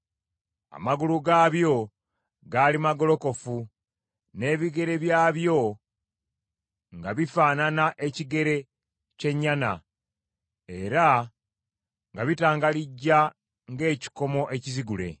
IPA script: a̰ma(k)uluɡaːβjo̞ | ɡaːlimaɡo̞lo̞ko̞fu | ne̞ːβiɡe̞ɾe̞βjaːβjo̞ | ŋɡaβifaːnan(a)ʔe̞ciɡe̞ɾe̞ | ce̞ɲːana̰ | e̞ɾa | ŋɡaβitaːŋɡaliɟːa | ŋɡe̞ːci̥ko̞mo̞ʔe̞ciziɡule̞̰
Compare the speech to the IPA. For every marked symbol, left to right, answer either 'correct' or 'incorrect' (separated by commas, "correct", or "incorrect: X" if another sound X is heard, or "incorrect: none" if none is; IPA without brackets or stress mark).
incorrect: ɡ, correct